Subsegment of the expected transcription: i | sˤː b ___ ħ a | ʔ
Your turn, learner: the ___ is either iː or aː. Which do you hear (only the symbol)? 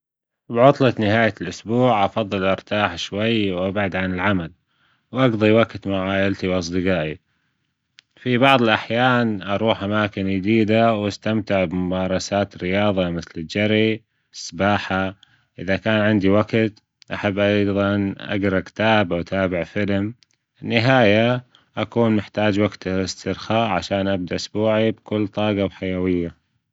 aː